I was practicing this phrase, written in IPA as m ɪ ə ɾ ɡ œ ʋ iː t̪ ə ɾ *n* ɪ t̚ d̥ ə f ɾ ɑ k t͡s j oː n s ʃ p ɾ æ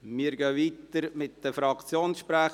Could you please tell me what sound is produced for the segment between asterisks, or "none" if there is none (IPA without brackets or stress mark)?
m